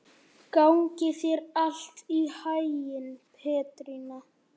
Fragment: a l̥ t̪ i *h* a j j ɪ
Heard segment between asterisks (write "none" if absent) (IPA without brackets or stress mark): h